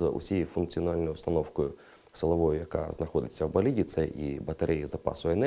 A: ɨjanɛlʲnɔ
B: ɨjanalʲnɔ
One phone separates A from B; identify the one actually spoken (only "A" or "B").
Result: B